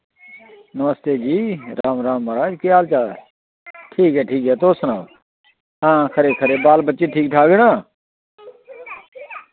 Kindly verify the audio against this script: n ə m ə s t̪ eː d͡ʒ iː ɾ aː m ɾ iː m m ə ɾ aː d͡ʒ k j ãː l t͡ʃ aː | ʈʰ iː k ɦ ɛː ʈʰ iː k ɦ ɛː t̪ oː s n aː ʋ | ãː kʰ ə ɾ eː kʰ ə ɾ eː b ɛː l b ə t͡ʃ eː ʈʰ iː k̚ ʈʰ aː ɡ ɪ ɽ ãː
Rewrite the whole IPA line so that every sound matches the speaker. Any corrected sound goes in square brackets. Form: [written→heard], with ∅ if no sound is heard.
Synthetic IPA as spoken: n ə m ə s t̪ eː d͡ʒ iː ɾ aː m ɾ [iː→aː] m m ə ɾ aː d͡ʒ k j [ãː→aː] l t͡ʃ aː | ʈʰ iː k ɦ ɛː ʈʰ iː k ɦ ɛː t̪ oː s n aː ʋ | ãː kʰ ə ɾ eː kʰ ə ɾ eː b [ɛː→aː] l b ə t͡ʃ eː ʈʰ iː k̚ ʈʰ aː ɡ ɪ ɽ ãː